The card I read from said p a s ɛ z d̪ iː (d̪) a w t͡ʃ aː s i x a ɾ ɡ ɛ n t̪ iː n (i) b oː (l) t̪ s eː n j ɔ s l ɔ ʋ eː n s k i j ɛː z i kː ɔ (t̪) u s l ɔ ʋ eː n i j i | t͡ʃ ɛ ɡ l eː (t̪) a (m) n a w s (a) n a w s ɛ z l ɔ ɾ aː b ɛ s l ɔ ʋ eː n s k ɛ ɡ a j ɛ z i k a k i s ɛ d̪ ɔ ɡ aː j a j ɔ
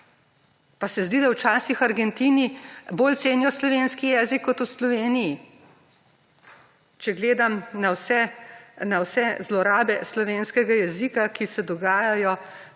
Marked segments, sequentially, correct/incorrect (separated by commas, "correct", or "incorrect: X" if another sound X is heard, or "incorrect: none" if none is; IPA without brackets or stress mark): correct, correct, correct, correct, incorrect: d̪, correct, incorrect: ɛ